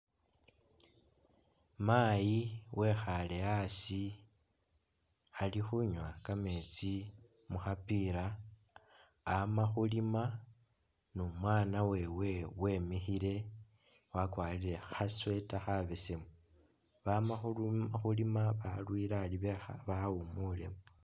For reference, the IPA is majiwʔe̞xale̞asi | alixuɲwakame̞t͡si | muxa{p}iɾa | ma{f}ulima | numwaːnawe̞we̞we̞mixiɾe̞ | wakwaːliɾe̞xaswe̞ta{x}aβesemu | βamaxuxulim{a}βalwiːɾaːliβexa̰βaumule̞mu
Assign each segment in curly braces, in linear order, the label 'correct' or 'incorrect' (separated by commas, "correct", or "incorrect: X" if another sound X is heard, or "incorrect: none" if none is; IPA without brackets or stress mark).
correct, incorrect: x, correct, correct